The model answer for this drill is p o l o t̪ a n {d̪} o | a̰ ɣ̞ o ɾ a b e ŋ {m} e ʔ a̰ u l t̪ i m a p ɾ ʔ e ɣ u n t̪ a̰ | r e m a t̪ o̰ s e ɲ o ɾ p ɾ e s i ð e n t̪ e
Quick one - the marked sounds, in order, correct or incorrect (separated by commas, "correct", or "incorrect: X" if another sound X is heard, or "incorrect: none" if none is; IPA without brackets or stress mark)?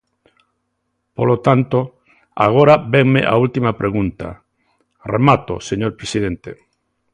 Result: incorrect: t̪, correct